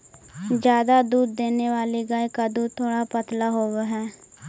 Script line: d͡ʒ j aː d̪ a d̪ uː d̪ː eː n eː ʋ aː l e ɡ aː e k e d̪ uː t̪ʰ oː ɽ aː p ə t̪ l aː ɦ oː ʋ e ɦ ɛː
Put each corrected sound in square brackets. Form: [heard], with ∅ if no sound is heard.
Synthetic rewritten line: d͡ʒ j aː d̪ a d̪ uː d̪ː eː n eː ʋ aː l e ɡ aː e k [a] d̪ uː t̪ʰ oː ɽ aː p ə t̪ l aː ɦ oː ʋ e ɦ ɛː